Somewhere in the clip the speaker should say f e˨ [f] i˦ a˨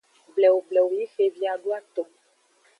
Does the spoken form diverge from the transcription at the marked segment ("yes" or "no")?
yes